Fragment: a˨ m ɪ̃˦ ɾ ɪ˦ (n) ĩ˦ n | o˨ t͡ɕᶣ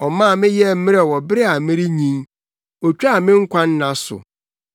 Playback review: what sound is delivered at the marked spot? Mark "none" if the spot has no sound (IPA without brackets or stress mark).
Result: ɲ